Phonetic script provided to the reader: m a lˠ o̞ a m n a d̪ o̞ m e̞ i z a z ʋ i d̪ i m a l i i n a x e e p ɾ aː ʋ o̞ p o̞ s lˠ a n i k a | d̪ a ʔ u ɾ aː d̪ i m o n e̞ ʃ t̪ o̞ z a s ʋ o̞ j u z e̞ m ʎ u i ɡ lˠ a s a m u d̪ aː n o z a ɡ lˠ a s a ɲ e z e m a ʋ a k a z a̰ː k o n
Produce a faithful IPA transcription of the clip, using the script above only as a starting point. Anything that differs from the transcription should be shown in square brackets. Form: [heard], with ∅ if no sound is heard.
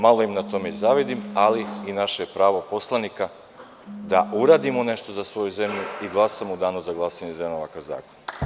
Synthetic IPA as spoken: m a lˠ o̞ [i] m n a [t̪] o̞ m e̞ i z a [∅] ʋ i d̪ i m a l i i n a [ʃ] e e p ɾ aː ʋ o̞ p o̞ s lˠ a n i k a | d̪ a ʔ u ɾ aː d̪ i m o n e̞ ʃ t̪ o̞ z a s ʋ o̞ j u z e̞ m ʎ u i ɡ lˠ a s a m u d̪ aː n [u] z a ɡ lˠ a s a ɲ e z e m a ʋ a k a z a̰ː k o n